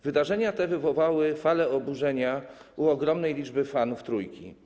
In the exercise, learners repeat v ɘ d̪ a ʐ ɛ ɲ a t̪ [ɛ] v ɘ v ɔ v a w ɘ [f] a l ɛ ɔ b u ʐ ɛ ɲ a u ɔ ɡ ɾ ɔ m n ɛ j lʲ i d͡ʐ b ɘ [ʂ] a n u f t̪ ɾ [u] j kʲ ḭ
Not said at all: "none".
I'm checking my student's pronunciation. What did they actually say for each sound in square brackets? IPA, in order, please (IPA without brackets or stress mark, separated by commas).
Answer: ɛ, f, f, u